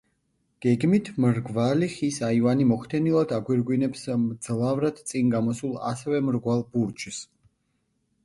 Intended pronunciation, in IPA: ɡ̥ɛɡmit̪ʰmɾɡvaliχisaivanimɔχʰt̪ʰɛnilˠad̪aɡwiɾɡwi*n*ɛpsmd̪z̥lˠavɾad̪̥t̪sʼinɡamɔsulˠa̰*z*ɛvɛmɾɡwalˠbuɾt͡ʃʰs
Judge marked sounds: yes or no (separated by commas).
yes, no